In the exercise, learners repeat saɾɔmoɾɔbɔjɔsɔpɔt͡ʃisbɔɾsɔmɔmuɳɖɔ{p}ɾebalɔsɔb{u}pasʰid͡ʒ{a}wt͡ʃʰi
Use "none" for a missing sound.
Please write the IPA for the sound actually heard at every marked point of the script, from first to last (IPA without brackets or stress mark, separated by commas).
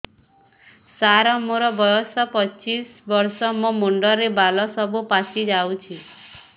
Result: none, u, a